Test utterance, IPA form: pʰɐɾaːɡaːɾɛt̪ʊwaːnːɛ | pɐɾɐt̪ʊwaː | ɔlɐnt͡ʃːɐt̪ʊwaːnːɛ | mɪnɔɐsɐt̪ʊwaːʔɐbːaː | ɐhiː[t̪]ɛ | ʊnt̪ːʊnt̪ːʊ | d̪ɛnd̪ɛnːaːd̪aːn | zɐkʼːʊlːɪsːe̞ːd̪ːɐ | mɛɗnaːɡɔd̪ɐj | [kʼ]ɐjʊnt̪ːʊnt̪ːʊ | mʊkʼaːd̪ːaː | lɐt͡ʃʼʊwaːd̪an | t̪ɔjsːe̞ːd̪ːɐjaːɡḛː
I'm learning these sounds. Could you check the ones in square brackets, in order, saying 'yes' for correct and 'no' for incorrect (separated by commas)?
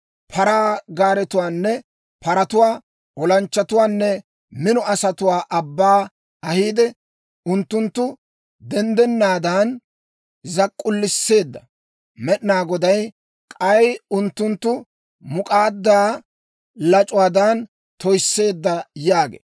no, yes